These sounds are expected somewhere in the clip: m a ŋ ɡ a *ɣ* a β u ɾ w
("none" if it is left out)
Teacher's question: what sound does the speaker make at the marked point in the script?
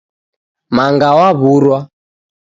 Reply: w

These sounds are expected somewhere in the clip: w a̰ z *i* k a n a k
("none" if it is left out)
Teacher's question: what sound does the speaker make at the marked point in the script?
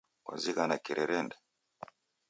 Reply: i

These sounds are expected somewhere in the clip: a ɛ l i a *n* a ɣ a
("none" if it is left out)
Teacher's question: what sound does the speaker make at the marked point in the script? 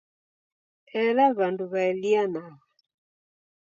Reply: n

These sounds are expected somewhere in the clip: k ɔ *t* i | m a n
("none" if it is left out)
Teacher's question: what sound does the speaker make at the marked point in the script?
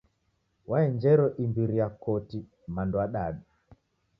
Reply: t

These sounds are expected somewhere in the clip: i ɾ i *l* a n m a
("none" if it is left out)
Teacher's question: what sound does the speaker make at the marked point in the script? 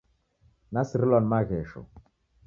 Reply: l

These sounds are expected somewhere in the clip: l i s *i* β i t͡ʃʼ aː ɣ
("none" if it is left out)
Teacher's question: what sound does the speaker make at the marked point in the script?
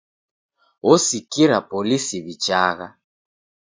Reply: i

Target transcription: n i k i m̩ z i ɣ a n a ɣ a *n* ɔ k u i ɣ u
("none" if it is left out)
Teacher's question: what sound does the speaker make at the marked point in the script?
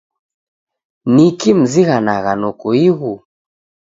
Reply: n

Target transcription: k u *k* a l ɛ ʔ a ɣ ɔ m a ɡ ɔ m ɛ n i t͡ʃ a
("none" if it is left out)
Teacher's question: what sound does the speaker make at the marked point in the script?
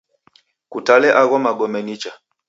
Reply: t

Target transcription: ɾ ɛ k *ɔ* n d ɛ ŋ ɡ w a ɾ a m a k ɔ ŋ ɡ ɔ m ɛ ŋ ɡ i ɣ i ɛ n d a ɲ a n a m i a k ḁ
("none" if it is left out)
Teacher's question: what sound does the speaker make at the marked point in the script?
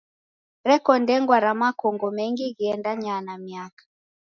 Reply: ɔ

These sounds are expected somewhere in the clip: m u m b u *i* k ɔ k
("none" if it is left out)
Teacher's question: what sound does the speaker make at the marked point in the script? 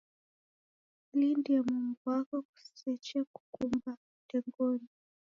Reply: a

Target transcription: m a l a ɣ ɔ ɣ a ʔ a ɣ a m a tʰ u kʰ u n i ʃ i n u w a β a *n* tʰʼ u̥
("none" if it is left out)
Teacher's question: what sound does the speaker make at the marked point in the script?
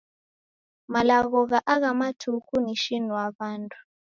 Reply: n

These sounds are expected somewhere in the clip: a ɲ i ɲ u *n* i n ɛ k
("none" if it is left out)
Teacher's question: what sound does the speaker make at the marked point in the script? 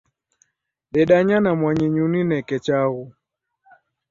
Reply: n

